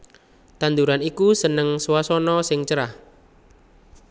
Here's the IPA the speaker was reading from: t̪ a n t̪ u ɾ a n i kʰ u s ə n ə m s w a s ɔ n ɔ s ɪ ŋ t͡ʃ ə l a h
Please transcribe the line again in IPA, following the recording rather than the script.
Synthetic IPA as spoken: t̪ a n d̪ u ɾ a n i k u s ə n ə ŋ s w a s ɔ n ɔ s ɪ ŋ t͡ʃ ə ɾ a h